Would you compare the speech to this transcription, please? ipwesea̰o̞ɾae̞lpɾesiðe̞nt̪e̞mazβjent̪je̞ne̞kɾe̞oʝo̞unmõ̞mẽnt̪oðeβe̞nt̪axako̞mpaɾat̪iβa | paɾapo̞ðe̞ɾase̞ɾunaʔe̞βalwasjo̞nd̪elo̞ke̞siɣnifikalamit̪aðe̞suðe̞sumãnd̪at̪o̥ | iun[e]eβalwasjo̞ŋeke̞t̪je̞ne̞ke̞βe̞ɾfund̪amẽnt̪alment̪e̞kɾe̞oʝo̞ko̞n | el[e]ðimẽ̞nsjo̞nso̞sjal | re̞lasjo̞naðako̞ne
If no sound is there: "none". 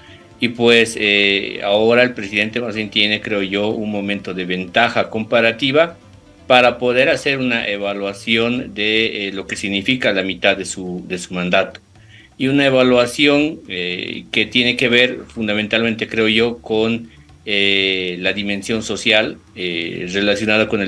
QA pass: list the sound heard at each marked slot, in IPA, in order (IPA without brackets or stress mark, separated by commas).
a, a